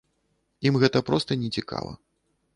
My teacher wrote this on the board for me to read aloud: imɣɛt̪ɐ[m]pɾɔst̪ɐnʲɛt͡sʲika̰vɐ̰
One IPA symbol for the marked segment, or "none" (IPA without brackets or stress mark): none